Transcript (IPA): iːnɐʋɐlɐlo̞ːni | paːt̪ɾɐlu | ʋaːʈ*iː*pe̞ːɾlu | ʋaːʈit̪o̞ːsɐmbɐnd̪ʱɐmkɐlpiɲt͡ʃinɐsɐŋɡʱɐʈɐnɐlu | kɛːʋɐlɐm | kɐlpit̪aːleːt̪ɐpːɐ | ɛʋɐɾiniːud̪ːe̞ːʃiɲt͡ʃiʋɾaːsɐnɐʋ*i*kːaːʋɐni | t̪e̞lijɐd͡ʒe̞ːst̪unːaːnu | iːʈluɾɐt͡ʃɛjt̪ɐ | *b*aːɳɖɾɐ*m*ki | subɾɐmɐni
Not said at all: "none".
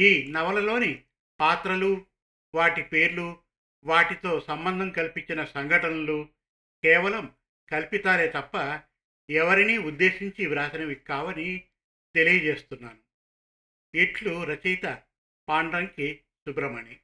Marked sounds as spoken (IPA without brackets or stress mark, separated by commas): i, i, p, ŋ